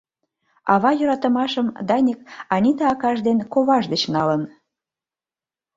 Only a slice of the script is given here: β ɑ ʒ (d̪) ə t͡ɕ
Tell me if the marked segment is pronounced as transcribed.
yes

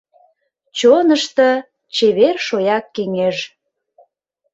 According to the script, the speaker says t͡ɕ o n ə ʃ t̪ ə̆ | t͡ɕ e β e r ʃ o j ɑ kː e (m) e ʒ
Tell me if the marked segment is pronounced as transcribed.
no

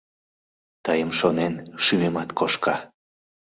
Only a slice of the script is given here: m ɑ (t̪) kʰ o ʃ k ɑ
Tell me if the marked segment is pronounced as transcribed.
yes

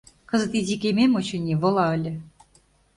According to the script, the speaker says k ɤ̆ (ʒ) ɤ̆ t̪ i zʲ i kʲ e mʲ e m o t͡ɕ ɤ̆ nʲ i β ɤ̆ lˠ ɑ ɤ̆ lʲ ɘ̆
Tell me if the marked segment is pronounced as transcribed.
no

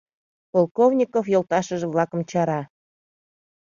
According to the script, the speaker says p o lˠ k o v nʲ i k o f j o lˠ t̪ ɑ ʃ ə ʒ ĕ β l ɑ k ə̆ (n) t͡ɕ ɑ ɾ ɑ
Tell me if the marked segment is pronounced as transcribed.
no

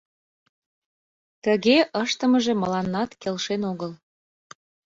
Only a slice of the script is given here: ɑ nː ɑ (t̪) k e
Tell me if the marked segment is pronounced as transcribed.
yes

